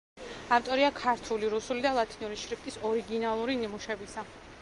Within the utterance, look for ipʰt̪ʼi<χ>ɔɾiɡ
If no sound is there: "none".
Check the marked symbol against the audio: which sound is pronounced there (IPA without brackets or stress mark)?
s